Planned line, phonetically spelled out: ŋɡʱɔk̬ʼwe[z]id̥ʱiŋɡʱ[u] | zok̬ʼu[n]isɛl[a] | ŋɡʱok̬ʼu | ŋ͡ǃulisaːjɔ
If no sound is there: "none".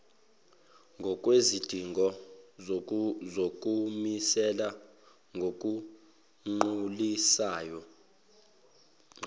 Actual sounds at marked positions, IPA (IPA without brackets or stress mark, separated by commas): z, ɔ, m, a